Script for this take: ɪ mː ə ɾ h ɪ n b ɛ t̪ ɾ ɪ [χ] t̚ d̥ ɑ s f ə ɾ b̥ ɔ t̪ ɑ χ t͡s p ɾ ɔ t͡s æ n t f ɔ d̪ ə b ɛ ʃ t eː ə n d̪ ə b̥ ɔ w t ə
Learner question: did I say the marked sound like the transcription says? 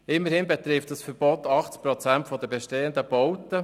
no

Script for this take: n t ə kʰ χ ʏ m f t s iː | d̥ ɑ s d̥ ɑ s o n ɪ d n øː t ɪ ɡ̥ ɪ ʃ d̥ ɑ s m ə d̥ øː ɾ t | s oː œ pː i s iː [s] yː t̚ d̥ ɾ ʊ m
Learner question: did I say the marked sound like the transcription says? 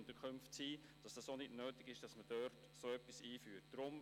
no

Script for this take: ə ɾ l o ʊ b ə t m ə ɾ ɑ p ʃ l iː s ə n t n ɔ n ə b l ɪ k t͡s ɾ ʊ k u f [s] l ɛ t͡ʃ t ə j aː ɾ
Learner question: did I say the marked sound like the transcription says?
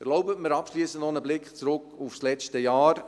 yes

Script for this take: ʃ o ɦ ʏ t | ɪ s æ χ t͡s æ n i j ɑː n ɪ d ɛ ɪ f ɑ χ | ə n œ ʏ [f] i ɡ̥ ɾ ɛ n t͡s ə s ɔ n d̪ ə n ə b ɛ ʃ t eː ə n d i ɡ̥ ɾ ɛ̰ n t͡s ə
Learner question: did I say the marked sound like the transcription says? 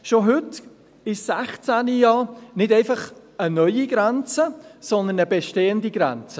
no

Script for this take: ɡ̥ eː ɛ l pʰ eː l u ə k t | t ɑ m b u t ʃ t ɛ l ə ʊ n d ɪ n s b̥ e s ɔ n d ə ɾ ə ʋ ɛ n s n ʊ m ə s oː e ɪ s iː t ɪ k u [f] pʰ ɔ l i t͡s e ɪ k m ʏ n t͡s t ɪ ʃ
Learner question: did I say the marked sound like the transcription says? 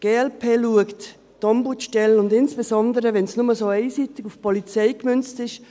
yes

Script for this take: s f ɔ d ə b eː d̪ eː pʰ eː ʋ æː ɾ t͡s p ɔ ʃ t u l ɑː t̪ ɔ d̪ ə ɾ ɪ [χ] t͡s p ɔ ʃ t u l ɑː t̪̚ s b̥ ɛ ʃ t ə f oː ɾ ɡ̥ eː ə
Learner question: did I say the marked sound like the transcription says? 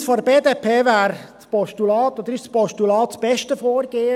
no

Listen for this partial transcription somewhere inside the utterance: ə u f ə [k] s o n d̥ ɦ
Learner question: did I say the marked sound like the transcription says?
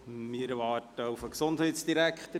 yes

